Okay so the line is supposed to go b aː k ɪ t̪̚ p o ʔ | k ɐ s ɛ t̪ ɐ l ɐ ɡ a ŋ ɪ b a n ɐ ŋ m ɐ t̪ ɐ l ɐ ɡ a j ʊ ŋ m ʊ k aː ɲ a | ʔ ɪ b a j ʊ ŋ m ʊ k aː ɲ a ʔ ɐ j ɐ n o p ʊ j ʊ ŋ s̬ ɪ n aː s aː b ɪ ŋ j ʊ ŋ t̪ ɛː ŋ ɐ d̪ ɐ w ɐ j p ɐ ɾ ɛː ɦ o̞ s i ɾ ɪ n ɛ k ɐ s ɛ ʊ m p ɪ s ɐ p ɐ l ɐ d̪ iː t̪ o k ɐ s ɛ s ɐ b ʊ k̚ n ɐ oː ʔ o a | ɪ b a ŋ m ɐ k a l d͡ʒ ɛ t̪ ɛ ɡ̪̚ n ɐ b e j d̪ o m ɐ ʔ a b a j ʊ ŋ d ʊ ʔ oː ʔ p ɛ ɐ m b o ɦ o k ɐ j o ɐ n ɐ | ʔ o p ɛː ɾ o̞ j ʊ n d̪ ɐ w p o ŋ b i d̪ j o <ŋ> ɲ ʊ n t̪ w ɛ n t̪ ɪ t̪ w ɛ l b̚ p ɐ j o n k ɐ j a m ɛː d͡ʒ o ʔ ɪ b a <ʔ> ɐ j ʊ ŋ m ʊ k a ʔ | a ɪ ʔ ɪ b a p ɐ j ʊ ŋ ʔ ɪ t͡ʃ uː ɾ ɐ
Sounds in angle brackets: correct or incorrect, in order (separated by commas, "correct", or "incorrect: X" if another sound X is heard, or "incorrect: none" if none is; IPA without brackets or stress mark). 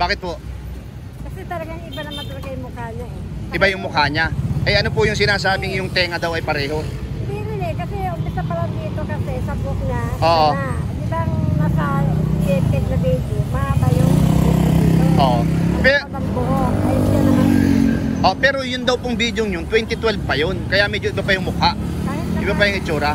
correct, incorrect: p